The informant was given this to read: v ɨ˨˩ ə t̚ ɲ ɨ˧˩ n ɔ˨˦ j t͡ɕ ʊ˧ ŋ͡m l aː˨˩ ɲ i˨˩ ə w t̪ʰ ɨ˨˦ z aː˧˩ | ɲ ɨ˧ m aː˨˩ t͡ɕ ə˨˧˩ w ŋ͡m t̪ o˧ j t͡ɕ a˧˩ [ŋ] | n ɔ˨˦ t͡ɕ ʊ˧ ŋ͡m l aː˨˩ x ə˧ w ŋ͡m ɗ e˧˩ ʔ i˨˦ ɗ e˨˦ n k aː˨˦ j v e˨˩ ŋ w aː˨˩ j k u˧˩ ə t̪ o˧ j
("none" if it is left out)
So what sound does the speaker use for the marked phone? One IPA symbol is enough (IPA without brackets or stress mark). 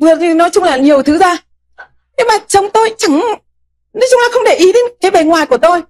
ŋ